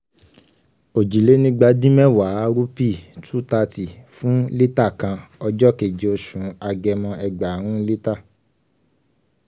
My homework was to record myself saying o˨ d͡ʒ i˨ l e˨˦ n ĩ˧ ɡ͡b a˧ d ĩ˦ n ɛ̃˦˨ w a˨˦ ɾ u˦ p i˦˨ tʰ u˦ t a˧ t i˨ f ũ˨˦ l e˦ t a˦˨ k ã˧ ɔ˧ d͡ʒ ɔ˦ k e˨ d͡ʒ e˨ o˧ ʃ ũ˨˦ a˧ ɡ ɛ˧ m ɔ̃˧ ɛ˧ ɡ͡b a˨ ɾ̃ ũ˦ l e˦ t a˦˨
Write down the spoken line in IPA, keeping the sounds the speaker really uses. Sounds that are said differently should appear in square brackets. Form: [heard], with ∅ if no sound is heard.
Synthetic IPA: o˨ d͡ʒ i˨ l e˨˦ n ĩ˧ ɡ͡b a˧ d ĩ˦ [m] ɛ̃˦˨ w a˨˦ ɾ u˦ p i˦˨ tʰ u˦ t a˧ t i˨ f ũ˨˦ l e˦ t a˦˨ k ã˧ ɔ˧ d͡ʒ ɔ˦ k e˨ d͡ʒ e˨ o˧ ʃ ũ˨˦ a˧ ɡ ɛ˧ m ɔ̃˧ ɛ˧ ɡ͡b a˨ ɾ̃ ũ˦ l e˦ t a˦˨

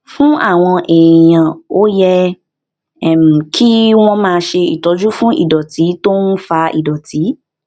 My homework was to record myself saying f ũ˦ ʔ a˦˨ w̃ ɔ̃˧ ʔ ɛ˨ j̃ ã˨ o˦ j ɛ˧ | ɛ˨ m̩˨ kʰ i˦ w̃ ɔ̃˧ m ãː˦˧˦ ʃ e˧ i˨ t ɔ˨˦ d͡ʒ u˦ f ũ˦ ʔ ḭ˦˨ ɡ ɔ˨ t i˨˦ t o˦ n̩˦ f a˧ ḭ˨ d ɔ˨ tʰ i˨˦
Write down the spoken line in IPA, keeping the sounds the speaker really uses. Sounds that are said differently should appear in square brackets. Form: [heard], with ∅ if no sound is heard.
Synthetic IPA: f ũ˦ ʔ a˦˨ w̃ ɔ̃˧ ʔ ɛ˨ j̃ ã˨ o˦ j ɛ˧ | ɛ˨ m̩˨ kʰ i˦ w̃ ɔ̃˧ m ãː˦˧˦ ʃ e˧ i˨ t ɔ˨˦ d͡ʒ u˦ f ũ˦ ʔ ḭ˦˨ [d] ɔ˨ t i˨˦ t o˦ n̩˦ f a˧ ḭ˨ d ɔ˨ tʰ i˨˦

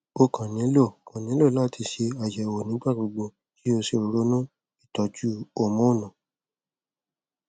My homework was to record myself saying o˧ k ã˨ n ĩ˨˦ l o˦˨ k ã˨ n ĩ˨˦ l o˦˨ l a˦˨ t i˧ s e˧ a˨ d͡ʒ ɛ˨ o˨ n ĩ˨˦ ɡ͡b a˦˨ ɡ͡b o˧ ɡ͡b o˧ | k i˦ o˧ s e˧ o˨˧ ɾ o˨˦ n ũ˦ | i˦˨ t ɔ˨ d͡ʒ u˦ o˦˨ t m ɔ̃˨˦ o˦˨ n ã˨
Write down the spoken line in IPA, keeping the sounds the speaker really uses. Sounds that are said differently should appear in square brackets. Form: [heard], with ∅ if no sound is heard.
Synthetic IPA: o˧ k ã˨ n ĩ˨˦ l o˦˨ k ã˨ n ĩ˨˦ l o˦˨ l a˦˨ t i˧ [ʃ] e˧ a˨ d͡ʒ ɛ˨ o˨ n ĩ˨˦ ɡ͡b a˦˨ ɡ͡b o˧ ɡ͡b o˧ | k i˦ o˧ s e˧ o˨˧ ɾ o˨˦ n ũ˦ | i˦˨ t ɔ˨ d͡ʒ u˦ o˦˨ [∅] m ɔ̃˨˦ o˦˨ n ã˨

